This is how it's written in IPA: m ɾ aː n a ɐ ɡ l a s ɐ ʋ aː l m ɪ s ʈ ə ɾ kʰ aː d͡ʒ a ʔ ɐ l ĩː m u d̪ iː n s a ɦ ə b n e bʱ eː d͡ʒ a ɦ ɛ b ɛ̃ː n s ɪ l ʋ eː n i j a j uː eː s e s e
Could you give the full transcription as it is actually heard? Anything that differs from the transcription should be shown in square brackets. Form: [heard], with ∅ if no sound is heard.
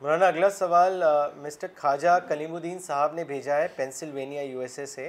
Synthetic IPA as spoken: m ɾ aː n a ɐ ɡ l a s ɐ ʋ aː l m ɪ s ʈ ə ɾ kʰ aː d͡ʒ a [k] ɐ l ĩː m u d̪ iː n s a ɦ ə b n e bʱ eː d͡ʒ a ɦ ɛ [p] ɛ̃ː n s ɪ l ʋ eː n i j a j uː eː s e s e